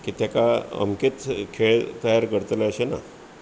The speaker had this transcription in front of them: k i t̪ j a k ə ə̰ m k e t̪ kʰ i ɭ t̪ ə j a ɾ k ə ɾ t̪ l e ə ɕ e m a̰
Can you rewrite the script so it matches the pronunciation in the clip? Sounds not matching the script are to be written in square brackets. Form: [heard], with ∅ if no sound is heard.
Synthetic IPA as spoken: k i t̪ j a k [a] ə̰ m k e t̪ kʰ [e] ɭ t̪ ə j a ɾ k ə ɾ t̪ l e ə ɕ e [n] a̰